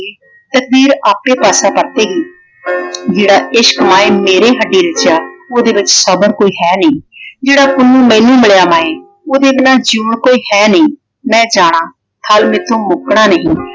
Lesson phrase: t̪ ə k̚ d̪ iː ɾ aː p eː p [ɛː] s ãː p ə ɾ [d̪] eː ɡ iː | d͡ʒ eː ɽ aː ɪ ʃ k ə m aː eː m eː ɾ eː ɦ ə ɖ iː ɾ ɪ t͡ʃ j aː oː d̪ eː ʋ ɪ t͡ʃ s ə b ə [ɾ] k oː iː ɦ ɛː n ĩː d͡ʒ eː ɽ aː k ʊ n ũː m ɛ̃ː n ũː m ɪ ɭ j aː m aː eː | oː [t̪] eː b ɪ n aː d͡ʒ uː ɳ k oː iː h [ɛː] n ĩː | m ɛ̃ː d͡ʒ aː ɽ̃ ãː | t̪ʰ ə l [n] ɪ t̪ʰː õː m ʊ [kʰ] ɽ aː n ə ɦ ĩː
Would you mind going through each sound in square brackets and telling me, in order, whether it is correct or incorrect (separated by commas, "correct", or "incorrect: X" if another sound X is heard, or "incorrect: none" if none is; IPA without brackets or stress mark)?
incorrect: aː, incorrect: t̪, correct, incorrect: d̪, correct, incorrect: m, incorrect: k